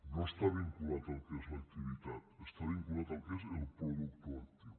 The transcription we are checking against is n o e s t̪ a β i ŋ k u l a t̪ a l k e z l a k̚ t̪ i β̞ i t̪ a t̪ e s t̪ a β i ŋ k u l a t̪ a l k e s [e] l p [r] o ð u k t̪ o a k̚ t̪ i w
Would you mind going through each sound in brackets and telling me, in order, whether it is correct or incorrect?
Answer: correct, incorrect: ɾ

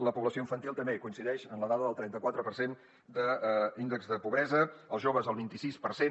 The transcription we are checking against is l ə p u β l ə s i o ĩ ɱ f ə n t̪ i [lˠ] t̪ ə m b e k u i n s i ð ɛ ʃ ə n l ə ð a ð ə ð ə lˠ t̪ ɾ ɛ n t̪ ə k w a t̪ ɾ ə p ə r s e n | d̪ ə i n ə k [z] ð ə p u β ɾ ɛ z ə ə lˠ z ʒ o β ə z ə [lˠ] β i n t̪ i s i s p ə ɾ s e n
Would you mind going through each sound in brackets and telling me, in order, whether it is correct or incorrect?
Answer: correct, correct, correct

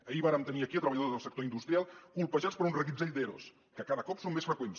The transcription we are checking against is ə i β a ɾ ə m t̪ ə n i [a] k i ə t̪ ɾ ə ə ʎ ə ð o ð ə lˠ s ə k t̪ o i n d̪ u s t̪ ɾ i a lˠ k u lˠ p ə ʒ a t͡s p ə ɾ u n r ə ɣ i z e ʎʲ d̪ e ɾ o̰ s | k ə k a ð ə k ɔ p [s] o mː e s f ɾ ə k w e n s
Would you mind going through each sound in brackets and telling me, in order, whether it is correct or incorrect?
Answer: incorrect: ə, correct

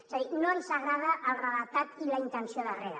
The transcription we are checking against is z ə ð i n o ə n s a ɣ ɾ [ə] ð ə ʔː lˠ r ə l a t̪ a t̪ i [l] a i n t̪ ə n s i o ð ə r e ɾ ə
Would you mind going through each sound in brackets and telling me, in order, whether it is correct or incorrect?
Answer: incorrect: a, correct

